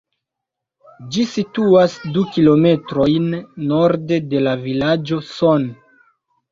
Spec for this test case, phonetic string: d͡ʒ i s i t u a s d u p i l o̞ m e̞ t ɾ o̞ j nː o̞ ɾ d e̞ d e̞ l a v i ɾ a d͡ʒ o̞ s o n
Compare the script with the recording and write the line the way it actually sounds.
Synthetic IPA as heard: d͡ʒ i s i t u a s d u k i l o̞ m e̞ t ɾ o̞ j nː o̞ ɾ d e̞ d e̞ l a v i l a d͡ʒ o̞ s o n